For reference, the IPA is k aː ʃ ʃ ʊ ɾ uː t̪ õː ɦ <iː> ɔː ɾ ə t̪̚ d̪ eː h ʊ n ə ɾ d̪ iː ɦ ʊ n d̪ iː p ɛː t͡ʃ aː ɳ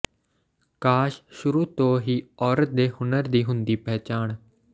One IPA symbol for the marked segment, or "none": iː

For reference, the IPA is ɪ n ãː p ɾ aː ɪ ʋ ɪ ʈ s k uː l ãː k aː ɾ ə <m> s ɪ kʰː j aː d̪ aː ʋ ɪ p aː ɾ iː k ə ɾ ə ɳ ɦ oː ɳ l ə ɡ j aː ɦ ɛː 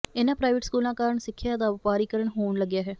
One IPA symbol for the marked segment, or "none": ɳ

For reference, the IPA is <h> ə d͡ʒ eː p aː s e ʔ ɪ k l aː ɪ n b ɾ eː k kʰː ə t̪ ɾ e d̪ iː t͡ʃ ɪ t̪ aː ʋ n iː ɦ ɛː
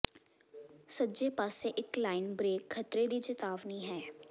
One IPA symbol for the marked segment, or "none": s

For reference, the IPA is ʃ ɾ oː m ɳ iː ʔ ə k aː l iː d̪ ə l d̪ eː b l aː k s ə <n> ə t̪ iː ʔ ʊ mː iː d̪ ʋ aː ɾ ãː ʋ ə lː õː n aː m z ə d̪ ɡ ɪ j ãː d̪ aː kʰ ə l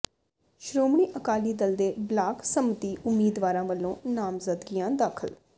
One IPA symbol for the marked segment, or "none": m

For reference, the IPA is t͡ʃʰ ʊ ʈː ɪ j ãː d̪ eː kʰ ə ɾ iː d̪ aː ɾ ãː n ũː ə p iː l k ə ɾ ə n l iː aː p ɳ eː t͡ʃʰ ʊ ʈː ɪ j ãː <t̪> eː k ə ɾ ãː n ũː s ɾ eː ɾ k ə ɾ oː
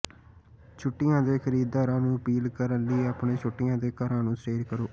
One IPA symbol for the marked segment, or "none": d̪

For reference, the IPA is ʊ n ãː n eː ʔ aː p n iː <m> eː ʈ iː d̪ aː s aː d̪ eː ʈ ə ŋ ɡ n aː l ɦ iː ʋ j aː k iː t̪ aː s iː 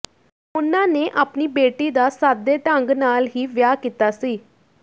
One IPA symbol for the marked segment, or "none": b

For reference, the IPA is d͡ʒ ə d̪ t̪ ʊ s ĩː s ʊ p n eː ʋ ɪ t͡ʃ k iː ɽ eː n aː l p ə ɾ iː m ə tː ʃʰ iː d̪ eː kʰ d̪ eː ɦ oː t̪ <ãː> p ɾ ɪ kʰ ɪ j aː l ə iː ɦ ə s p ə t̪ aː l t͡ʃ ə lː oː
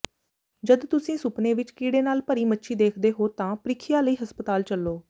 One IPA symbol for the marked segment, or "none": ãː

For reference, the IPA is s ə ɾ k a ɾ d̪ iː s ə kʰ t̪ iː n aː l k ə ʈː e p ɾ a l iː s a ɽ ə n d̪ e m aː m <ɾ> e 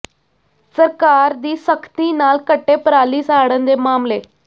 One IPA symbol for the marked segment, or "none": l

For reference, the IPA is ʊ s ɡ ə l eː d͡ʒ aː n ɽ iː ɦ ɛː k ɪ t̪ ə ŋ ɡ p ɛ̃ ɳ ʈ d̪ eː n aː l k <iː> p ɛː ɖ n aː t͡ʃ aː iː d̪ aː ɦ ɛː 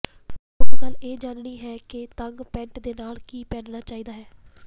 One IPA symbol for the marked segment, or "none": iː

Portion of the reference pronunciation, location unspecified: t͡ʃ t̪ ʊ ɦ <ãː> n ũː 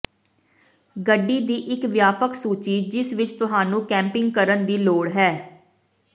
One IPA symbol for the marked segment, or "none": aː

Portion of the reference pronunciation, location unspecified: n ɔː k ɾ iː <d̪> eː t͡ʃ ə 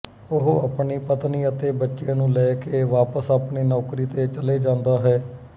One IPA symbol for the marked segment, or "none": t̪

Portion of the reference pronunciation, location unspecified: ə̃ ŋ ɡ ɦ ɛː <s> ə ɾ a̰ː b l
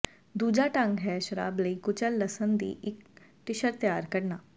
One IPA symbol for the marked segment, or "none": ʃ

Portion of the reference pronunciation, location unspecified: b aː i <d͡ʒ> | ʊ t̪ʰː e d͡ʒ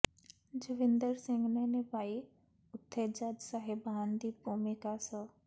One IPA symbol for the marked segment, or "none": none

